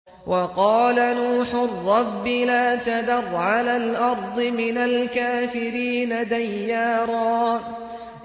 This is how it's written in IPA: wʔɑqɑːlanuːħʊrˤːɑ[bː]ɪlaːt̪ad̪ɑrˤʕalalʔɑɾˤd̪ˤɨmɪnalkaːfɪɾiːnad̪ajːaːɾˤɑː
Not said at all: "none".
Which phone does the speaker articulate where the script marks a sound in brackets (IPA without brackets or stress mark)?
bː